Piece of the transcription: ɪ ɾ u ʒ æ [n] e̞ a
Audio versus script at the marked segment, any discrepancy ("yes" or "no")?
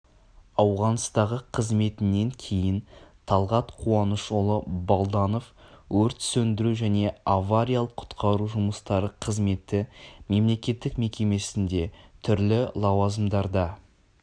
no